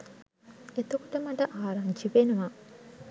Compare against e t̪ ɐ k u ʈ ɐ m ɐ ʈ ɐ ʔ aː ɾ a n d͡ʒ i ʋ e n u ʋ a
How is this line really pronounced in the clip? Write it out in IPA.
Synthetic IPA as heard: e t̪ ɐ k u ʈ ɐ m ɐ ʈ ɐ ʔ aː ɾ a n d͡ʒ i ʋ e n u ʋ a